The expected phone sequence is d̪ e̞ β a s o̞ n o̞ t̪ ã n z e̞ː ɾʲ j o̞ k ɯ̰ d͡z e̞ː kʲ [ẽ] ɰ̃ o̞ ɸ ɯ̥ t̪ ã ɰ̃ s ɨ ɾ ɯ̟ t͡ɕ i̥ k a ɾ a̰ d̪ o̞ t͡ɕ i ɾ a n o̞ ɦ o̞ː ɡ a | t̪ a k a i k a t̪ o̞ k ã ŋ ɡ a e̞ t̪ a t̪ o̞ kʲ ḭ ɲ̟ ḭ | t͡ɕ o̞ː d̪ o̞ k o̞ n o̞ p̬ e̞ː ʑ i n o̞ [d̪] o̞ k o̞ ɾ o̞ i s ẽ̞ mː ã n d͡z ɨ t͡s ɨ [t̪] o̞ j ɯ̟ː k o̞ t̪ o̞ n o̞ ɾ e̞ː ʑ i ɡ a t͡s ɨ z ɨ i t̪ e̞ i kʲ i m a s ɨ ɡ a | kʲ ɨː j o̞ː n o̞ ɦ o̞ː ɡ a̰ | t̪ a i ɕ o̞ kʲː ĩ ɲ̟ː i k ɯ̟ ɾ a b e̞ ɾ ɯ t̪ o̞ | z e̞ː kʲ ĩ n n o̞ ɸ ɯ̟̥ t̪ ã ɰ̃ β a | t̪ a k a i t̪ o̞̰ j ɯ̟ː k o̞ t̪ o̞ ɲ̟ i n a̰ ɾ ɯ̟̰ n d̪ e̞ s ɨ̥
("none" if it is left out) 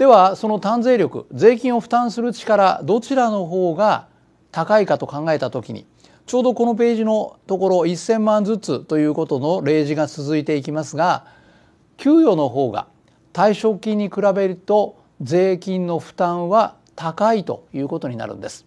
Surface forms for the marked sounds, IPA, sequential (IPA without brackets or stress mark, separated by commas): ĩ, t̪, t̪